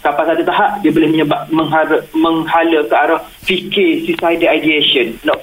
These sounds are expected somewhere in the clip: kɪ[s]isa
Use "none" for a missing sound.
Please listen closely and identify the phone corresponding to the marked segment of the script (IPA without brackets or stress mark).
s